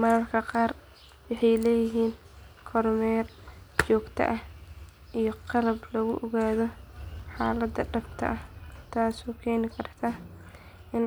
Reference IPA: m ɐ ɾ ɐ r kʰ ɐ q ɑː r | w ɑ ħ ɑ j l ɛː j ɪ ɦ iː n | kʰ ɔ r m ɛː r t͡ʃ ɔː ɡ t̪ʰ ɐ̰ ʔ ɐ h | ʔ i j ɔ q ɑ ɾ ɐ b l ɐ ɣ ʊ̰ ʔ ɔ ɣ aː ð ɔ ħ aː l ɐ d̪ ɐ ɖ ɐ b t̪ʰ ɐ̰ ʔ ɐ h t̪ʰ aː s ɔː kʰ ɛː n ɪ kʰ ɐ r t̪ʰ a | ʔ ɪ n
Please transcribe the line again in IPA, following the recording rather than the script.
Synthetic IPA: m ɐ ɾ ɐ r kʰ ɐ q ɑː r | w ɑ ħ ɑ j l ɛː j ɪ ɦ iː n | kʰ ɔ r m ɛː r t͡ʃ ɔː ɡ t̪ʰ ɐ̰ ʔ ɐ h | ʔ i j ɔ q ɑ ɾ ɐ b l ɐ ɣ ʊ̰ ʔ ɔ ɣ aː ð ɔ ħ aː l ɐ d̪ ɐ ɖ ɐ b t̪ʰ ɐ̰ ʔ ɐ h t̪ʰ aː s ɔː kʰ ɛː n ɪ kʰ ɐ r t̪ʰ a | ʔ ɪ n